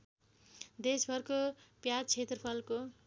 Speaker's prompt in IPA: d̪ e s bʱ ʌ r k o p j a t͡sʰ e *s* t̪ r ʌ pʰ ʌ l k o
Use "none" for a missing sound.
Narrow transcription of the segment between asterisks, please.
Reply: none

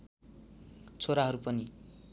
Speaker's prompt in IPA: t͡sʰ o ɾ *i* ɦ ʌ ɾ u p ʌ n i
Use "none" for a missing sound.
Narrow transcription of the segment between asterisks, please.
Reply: a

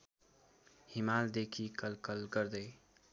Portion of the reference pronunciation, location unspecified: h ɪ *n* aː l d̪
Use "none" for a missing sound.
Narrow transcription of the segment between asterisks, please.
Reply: m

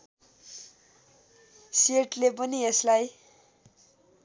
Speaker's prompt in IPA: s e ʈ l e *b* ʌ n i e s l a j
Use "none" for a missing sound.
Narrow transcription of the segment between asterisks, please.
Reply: p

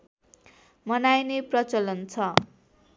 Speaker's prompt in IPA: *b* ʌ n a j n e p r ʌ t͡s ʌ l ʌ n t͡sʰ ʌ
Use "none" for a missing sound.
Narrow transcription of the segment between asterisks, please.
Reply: m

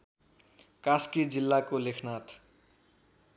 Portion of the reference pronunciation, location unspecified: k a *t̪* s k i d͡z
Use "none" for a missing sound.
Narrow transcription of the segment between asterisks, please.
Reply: none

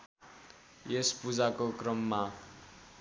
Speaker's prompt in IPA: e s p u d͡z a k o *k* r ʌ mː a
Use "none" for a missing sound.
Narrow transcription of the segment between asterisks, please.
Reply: k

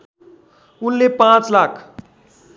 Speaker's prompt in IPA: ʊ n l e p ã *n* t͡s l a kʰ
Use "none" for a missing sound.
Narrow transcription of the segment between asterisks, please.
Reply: none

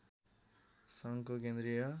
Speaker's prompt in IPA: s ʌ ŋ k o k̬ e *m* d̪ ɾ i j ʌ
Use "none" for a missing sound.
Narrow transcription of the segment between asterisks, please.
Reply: n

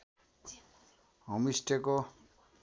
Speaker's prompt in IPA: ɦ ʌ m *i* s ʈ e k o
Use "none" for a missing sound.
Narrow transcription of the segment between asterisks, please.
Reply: i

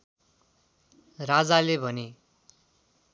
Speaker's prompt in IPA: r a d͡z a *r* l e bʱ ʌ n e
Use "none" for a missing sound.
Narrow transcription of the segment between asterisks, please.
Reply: none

